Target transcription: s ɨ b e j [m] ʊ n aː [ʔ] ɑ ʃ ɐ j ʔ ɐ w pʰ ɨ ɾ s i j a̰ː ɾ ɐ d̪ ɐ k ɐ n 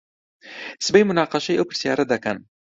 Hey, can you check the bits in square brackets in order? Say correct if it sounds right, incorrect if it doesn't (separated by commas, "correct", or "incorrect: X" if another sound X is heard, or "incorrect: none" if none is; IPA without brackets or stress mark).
correct, incorrect: q